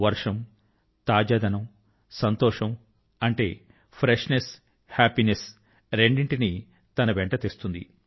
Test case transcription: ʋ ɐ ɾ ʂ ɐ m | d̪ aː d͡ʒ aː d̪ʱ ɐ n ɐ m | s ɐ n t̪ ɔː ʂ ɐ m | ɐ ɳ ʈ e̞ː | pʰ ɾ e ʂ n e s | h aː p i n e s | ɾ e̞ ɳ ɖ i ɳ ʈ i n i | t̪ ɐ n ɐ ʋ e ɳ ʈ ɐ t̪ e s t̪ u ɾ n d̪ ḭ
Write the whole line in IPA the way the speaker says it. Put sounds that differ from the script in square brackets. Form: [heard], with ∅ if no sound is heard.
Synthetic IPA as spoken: ʋ ɐ ɾ ʂ ɐ m | [t̪] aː d͡ʒ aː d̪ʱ ɐ n ɐ m | s ɐ n t̪ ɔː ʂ ɐ m | ɐ ɳ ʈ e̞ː | pʰ ɾ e ʂ n e s | h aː p i n e s | ɾ e̞ ɳ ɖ i ɳ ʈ i n i | t̪ ɐ n ɐ ʋ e ɳ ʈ ɐ t̪ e s t̪ u [∅] n d̪ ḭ